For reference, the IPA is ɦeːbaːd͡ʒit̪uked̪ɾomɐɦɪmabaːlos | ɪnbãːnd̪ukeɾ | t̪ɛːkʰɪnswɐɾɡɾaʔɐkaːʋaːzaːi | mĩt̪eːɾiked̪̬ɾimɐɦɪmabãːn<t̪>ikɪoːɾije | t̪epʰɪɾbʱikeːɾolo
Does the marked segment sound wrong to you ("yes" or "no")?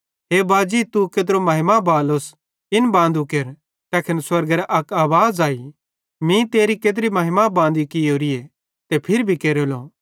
yes